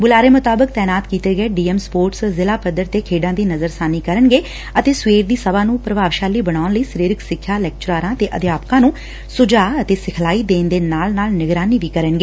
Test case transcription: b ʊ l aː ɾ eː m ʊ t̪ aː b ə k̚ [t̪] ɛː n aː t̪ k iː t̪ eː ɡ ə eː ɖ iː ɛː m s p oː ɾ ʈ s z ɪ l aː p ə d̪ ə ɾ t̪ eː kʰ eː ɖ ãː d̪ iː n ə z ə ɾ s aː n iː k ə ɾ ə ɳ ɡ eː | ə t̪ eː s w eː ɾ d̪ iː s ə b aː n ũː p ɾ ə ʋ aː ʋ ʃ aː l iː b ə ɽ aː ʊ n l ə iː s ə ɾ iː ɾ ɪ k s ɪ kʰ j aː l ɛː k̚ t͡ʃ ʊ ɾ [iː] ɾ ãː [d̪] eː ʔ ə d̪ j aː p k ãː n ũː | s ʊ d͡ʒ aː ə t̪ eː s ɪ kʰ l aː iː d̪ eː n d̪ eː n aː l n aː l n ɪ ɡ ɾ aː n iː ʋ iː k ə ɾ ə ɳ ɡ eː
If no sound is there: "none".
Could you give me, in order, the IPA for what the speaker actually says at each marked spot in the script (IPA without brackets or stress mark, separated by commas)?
t̪, aː, t̪